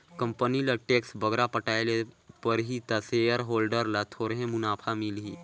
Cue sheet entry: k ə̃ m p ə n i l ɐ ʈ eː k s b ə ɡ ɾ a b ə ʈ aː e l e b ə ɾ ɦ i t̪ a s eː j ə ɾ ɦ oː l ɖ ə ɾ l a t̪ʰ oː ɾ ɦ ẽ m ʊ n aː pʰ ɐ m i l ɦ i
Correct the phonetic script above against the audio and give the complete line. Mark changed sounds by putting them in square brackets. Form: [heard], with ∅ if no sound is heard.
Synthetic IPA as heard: k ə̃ m p ə n i l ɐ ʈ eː k s b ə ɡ ɾ a [p] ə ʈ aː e l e [p] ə ɾ ɦ i t̪ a s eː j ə ɾ ɦ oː l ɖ ə ɾ l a t̪ʰ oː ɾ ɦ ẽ m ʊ n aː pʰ [a] m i l ɦ i